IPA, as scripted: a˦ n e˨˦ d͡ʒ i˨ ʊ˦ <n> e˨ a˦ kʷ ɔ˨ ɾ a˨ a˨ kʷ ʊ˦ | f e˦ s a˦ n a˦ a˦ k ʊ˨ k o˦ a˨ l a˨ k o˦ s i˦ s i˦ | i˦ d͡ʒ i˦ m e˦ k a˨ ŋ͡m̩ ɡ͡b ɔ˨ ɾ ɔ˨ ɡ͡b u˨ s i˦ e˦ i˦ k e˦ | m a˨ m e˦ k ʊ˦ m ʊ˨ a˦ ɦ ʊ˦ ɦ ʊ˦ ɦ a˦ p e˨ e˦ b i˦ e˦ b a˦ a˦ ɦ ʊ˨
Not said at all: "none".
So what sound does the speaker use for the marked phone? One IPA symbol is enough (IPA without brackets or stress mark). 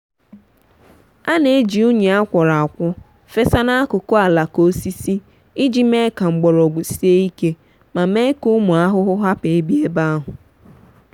ɲ